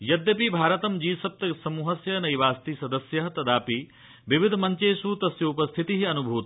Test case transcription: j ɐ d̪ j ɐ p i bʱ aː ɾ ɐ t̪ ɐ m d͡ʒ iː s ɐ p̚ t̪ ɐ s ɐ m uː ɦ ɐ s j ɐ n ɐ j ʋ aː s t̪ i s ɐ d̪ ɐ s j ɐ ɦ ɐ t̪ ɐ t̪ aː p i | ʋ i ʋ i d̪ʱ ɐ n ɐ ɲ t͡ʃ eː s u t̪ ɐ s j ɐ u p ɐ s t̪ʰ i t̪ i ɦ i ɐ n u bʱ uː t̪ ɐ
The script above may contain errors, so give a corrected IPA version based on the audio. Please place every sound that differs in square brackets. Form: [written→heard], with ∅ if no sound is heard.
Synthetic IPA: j ɐ d̪ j ɐ p i bʱ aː ɾ ɐ t̪ ɐ m d͡ʒ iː s ɐ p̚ t̪ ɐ s ɐ m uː ɦ ɐ s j ɐ n ɐ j ʋ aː s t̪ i s ɐ d̪ ɐ s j ɐ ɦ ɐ t̪ ɐ [t̪→d̪] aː p i | ʋ i ʋ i d̪ʱ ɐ [n→m] ɐ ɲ t͡ʃ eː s u t̪ ɐ s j ɐ u p ɐ s t̪ʰ i t̪ i ɦ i ɐ n u bʱ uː t̪ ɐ